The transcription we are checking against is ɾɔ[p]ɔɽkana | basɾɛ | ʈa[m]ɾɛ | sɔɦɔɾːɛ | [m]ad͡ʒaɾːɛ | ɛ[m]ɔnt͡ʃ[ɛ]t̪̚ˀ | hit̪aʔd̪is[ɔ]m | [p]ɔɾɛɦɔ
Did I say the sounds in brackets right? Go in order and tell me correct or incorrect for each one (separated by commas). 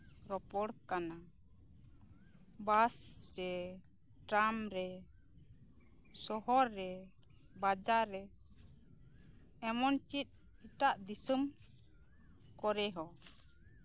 correct, correct, incorrect, correct, incorrect, incorrect, incorrect